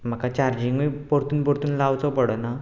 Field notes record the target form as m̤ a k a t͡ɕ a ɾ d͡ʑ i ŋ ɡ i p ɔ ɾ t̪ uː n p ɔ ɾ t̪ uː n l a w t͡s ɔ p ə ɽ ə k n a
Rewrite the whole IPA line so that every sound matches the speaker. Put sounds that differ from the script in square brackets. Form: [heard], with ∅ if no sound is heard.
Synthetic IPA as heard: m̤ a k a t͡ɕ a ɾ d͡ʑ i ŋ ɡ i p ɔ ɾ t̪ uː n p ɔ ɾ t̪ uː n l a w t͡s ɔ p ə ɽ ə [∅] n a

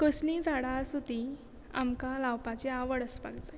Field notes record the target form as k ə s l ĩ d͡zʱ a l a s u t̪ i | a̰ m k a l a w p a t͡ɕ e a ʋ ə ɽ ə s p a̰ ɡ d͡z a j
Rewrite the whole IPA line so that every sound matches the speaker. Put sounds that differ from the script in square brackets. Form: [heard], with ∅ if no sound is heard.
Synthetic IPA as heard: k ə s l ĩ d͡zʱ a [ɽ] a s u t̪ i | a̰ m k a l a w p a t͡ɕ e a ʋ ə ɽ ə s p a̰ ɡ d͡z a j

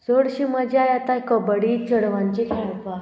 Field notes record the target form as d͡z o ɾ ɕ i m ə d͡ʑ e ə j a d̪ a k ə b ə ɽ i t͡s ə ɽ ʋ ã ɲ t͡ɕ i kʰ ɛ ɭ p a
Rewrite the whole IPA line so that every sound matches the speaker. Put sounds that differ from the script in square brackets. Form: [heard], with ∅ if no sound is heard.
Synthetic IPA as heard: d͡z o [ɽ] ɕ i m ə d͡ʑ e [a] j a [t̪] a k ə b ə ɽ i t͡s ə ɽ ʋ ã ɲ t͡ɕ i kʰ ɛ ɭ p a

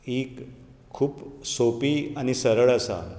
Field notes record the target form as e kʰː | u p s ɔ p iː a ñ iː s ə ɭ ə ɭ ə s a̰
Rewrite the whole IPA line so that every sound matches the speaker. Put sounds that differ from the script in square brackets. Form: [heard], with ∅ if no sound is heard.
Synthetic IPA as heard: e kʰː | [uː] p s [o] p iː a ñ [i] s ə [ɾ] ə ɭ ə s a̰

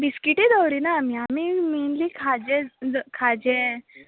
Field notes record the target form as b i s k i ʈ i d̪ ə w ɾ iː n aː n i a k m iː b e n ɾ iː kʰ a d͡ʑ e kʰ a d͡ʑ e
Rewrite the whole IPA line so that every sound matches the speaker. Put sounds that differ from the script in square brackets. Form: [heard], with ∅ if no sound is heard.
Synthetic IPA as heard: b i s k i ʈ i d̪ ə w ɾ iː n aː [m] i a [∅] m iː [m] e n [l] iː kʰ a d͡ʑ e kʰ a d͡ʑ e

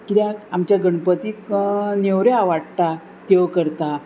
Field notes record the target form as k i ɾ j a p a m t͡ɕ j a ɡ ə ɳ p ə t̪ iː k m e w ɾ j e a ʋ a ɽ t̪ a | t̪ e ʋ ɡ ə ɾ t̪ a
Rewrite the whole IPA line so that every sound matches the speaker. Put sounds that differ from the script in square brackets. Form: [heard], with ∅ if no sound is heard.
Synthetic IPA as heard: k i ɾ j a [k] a m t͡ɕ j a ɡ ə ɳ p ə t̪ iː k [n] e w ɾ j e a ʋ a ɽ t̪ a | t̪ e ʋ [k] ə ɾ t̪ a

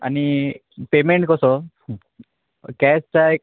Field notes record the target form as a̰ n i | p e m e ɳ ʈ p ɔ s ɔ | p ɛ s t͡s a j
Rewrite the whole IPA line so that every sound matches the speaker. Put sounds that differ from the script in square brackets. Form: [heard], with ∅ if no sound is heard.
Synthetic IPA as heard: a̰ n i | p e m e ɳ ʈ [k] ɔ s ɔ | [k] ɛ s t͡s a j

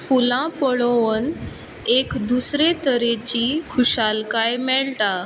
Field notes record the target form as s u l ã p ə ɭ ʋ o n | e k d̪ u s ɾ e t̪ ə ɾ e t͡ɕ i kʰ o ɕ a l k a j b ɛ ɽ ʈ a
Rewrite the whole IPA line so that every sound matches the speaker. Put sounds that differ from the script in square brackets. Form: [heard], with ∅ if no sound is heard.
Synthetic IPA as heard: [f] u l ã p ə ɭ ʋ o n | e k d̪ u s ɾ e t̪ ə ɾ e t͡ɕ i kʰ [u] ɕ a l k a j [m] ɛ [ɭ] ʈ a

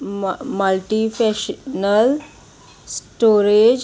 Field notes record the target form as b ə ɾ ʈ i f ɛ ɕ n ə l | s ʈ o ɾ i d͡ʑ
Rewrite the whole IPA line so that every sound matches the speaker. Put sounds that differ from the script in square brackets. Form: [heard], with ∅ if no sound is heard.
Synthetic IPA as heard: [m] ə [l] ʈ i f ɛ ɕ n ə l | s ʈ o ɾ [e] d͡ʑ

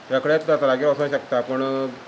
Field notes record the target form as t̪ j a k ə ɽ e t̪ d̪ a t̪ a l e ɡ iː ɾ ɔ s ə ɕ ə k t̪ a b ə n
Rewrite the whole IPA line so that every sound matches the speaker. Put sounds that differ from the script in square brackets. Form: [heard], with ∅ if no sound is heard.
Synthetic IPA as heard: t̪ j a k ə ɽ e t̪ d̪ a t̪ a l [a] ɡ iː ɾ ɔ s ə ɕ ə k t̪ a [p] ə [ɳ]

